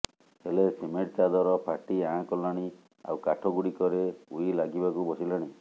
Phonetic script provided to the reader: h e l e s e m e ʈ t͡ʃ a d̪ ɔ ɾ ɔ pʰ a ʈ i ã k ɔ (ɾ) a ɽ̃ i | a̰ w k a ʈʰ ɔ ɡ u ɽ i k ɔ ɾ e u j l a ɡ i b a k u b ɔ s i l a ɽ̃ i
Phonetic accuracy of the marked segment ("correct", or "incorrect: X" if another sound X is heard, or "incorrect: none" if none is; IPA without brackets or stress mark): incorrect: l